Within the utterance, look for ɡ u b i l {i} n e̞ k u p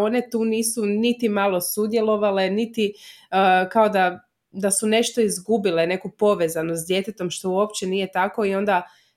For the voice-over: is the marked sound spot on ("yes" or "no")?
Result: no